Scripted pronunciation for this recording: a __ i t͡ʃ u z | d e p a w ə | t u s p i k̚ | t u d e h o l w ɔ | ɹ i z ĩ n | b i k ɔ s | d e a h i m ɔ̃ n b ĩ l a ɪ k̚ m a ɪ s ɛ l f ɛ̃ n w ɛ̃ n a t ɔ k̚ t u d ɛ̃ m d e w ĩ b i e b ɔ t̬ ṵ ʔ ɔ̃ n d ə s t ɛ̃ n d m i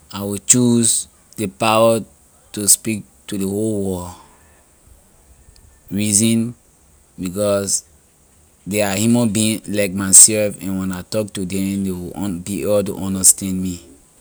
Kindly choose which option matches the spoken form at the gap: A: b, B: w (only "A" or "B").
B